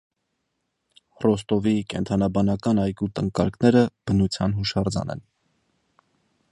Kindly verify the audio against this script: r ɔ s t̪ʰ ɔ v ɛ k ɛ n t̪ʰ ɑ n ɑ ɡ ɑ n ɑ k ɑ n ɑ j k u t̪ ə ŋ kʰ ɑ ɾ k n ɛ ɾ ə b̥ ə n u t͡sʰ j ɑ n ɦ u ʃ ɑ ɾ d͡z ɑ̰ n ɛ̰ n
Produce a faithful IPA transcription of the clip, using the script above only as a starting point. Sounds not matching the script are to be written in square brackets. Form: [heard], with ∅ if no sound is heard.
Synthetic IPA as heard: r ɔ s [t̪] ɔ v [i] k ɛ n t̪ʰ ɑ n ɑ [b] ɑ n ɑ k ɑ n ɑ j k u t̪ ə ŋ [k] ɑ ɾ k n ɛ ɾ ə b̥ ə n u t͡sʰ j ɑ n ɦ u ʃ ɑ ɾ d͡z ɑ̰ n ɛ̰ n